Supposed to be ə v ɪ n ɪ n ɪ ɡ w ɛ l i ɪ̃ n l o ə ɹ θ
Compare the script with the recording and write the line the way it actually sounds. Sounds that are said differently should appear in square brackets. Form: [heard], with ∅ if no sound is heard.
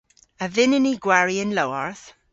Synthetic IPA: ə v ɪ n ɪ n [i] ɡ w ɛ [ɹ] i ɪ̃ n l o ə ɹ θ